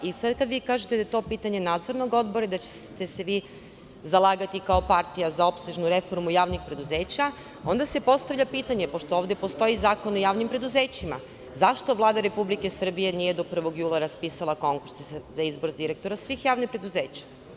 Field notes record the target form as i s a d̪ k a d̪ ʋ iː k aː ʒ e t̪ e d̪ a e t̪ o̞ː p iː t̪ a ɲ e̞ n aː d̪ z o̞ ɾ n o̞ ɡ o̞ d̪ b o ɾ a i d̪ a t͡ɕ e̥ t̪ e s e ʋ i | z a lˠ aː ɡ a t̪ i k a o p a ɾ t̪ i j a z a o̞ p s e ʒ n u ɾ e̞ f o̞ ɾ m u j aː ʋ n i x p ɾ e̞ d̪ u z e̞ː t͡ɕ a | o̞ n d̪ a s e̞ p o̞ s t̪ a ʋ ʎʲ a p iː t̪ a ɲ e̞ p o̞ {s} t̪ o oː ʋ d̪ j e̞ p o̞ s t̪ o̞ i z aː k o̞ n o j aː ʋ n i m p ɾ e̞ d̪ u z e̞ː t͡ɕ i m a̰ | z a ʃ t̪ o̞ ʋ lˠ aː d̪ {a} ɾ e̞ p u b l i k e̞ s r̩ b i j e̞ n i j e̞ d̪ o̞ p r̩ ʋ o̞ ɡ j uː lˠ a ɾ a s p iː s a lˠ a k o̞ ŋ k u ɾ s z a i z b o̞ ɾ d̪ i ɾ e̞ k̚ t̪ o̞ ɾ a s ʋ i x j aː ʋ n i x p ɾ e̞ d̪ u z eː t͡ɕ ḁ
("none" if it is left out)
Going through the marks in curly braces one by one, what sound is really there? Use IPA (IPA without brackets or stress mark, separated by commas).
ʃ, a